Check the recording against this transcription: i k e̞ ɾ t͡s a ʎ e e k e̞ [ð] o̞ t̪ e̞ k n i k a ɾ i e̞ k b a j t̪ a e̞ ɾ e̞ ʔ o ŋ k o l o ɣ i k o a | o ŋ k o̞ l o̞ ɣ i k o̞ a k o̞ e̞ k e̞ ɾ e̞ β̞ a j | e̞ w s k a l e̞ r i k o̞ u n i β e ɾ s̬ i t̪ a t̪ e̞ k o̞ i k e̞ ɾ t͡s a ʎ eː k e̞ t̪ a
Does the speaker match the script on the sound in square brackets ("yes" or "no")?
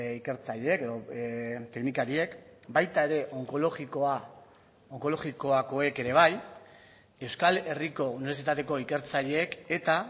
yes